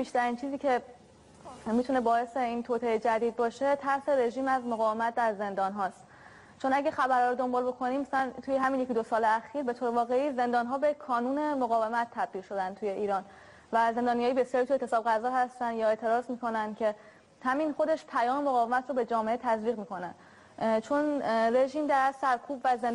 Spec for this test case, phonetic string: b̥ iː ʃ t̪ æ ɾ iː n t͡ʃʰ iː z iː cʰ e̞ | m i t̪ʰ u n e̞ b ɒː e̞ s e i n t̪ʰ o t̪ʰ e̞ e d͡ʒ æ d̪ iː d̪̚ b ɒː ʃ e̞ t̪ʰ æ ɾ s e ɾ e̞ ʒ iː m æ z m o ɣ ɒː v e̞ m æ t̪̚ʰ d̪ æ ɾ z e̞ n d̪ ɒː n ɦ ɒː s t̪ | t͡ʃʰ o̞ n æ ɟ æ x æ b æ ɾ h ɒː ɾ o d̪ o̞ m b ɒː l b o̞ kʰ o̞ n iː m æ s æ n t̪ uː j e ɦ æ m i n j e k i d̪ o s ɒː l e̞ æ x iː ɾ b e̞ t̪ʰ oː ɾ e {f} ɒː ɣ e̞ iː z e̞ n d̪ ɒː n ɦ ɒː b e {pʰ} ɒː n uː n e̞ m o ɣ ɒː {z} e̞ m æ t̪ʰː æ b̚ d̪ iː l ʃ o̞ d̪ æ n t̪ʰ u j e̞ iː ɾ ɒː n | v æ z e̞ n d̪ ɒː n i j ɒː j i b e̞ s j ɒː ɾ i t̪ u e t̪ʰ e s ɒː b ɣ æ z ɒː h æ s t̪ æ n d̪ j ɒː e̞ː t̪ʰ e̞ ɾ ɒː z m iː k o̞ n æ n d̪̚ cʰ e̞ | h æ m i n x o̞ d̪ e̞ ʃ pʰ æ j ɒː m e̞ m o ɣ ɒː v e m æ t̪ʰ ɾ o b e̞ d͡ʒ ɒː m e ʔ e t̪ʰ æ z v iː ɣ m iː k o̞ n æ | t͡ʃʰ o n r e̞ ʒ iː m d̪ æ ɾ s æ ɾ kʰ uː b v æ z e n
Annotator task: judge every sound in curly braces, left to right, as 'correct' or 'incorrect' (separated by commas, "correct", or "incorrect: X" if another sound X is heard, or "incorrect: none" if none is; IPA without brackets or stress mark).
incorrect: v, incorrect: kʰ, incorrect: v